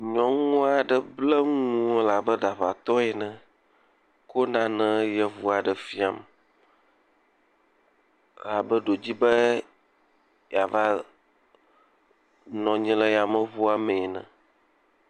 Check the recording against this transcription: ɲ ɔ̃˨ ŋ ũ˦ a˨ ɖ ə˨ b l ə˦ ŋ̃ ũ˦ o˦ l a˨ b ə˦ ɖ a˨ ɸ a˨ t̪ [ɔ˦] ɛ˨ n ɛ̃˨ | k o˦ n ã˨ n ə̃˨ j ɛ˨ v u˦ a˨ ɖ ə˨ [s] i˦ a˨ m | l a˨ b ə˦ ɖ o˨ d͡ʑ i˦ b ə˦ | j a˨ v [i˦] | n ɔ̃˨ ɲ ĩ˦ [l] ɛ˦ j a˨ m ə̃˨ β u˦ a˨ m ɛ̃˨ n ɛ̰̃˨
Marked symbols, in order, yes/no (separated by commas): yes, no, no, yes